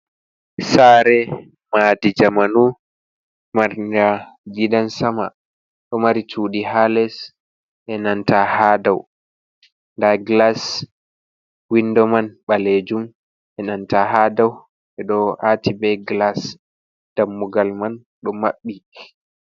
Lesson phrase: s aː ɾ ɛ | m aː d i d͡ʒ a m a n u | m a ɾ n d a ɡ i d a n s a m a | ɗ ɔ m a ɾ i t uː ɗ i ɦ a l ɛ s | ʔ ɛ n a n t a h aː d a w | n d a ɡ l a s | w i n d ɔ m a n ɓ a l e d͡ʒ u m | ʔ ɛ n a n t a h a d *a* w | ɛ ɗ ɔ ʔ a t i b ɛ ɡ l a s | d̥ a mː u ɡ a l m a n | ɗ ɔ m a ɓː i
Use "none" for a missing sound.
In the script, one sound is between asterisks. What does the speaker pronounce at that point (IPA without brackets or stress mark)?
a